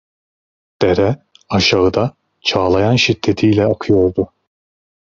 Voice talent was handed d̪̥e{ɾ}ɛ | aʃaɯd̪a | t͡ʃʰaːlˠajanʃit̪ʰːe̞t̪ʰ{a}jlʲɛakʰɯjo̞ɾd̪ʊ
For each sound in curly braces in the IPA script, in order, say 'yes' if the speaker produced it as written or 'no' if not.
yes, no

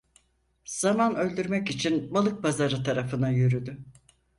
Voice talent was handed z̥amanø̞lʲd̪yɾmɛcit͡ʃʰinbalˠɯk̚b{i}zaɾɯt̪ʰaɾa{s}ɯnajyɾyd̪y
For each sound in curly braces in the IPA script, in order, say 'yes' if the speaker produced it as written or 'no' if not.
no, no

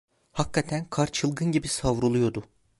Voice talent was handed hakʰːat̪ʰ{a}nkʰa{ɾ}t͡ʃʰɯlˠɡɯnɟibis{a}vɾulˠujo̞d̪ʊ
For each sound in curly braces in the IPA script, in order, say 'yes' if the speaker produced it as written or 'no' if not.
no, yes, yes

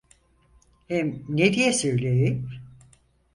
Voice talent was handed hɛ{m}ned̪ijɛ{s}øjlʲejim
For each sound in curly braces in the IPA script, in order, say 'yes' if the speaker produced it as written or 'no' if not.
yes, yes

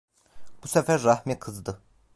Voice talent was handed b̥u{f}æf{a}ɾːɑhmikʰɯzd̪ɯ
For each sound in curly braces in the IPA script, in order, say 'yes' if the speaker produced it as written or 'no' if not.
no, no

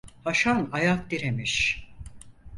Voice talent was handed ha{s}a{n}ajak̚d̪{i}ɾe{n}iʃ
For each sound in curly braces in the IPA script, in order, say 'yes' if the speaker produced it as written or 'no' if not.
no, yes, yes, no

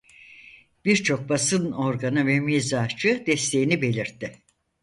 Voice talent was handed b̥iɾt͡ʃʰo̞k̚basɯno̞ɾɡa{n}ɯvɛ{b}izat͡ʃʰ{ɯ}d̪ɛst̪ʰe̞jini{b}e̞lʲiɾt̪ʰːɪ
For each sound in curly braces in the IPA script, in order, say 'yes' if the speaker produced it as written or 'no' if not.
yes, no, yes, yes

